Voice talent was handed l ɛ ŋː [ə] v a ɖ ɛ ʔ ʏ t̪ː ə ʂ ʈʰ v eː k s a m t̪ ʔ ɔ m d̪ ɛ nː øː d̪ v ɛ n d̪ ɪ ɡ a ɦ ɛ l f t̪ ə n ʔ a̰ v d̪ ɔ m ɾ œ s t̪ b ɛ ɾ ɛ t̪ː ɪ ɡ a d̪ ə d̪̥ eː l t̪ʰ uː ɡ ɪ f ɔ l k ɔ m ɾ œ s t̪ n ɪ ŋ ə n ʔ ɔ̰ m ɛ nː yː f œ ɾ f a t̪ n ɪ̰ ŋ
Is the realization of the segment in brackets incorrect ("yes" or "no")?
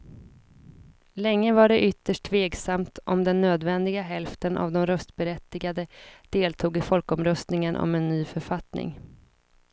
no